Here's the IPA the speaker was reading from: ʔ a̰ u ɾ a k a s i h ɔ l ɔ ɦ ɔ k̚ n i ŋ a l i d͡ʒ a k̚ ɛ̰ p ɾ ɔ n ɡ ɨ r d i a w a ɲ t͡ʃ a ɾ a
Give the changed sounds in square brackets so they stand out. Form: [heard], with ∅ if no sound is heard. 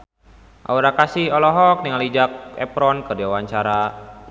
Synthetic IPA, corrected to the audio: ʔ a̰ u ɾ a k a s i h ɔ l ɔ ɦ ɔ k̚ n i ŋ a l i d͡ʒ a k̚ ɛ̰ p ɾ ɔ n [k] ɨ r d i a w a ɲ t͡ʃ a ɾ a